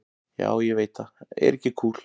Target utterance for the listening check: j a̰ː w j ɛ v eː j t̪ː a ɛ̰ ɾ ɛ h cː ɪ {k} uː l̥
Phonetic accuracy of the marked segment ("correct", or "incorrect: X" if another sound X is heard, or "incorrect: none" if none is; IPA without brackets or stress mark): incorrect: kʰ